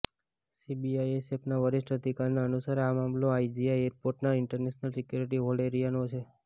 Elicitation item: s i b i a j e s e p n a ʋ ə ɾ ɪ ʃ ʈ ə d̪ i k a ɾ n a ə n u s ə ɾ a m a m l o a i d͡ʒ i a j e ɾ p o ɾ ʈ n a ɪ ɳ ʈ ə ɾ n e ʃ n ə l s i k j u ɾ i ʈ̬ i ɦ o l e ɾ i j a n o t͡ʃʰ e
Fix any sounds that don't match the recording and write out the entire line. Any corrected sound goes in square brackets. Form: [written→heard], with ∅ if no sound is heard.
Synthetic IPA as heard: s i b i a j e s e p n a ʋ ə ɾ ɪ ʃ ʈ ə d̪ i k a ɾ n a ə n u s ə ɾ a m a m l o a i d͡ʒ i a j e ɾ p o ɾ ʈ n a ɪ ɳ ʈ ə ɾ n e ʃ n ə l s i k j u ɾ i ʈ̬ i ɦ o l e ɾ i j a n o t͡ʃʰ e

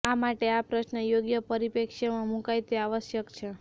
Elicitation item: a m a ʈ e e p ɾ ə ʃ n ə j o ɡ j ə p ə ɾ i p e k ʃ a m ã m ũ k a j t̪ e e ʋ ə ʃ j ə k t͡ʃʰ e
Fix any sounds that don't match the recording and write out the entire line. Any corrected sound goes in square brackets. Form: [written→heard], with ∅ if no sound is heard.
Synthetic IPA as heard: a m a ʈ e [e→a] p ɾ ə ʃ n ə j o ɡ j ə p ə ɾ i p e k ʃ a m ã m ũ k a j t̪ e [e→a] ʋ ə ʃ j ə k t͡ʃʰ e

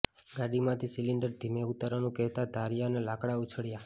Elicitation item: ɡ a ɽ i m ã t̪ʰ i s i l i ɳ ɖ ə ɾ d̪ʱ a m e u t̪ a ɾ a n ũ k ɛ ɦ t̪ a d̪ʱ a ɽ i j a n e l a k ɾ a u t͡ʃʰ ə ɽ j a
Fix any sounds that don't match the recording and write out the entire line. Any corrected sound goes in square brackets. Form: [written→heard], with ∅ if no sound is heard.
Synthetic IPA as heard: ɡ a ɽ i m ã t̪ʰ i s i l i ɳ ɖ ə ɾ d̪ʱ [a→i] m e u t̪ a ɾ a n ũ k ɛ ɦ t̪ a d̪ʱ a [ɽ→ɾ] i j a n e l a k [ɾ→ɽ] a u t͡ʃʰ ə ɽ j a

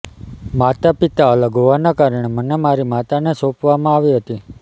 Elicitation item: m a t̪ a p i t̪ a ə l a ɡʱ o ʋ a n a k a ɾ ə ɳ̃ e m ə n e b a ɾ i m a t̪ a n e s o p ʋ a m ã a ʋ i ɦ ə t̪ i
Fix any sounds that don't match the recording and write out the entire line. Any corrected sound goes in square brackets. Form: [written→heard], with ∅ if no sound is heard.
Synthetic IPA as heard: m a t̪ a p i t̪ a ə l [a→ə] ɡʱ o ʋ a n a k a ɾ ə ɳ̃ e m ə n e [b→m] a ɾ i m a t̪ a n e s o p ʋ a m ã a ʋ i ɦ ə t̪ i

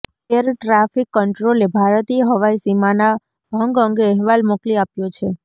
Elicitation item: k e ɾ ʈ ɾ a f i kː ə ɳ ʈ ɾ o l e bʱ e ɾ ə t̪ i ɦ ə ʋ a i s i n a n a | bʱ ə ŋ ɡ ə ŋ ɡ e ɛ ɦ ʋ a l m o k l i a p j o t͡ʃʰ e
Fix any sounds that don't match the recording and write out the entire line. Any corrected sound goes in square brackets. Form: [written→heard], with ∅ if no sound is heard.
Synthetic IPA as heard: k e ɾ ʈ ɾ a f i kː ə ɳ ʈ ɾ o l e bʱ [e→a] ɾ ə t̪ i ɦ ə ʋ a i s i [n→m] a n a | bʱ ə ŋ ɡ ə ŋ ɡ e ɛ ɦ ʋ a l m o k l i a p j o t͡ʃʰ e

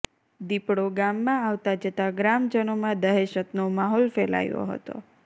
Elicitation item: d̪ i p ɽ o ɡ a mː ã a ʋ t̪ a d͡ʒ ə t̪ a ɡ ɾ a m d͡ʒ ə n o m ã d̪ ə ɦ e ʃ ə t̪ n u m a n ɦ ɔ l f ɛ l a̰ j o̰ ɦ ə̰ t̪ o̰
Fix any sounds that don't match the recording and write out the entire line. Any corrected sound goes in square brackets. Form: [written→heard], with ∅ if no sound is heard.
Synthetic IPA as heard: d̪ i p ɽ o ɡ a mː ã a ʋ t̪ a d͡ʒ ə t̪ a ɡ ɾ a m d͡ʒ ə n o m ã d̪ ə ɦ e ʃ ə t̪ n [u→o] m a [n→∅] ɦ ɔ l f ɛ l a̰ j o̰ ɦ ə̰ t̪ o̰

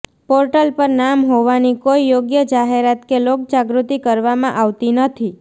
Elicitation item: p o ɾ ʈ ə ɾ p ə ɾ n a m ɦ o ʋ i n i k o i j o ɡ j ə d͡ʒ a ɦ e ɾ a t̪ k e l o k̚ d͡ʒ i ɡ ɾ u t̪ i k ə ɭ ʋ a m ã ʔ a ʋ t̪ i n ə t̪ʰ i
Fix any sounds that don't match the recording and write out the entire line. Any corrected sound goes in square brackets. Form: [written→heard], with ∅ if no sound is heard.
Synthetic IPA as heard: p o ɾ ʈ ə [ɾ→l] p ə ɾ n a m ɦ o ʋ [i→a] n i k o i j o ɡ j ə d͡ʒ a ɦ e ɾ a t̪ k e l o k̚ d͡ʒ [i→a] ɡ ɾ u t̪ i k ə [ɭ→ɾ] ʋ a m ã ʔ a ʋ t̪ i n ə t̪ʰ i

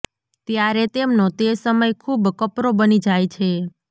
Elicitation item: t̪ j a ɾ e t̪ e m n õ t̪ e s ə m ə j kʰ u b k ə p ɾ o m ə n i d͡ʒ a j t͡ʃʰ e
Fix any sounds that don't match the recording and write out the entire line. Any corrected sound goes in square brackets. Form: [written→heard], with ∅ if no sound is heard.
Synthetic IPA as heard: t̪ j a ɾ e t̪ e m n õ t̪ e s ə m ə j kʰ u b k ə p ɾ o [m→b] ə n i d͡ʒ a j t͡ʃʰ e

